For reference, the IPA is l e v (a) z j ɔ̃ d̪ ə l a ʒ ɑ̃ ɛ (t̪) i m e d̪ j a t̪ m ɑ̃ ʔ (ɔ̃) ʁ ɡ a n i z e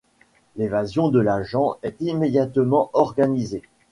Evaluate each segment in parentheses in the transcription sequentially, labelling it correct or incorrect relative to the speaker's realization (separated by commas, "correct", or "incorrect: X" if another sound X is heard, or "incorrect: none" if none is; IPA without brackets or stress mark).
correct, correct, incorrect: ɔ